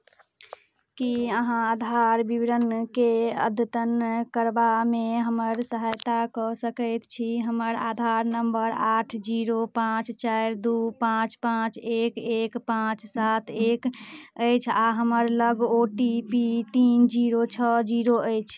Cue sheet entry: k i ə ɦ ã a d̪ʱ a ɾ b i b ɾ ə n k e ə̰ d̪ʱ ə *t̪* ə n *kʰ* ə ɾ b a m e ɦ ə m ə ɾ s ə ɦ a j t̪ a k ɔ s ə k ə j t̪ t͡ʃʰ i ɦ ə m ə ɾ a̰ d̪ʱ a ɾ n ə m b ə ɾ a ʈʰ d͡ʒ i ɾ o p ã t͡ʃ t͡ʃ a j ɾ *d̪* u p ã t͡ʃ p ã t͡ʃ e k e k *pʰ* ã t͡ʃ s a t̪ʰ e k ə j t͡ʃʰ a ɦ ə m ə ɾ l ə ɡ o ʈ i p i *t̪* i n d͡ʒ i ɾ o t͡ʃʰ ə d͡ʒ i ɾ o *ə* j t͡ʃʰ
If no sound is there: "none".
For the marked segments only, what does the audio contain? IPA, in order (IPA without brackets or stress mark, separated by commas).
t̪, k, d̪, p, t̪, ə